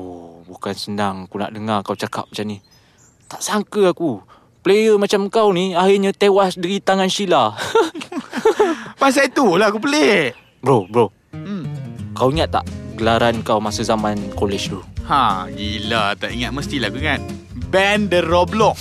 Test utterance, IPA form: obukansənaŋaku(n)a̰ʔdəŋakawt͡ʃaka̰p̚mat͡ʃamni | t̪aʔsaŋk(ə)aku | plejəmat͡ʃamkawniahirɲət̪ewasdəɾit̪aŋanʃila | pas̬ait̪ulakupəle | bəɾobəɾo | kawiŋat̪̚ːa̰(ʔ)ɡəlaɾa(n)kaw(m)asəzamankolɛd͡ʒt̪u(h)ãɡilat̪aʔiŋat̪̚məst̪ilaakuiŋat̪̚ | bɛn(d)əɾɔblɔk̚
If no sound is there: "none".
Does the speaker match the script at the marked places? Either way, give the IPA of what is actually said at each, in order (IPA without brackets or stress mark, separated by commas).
n, ə, ʔ, n, m, h, d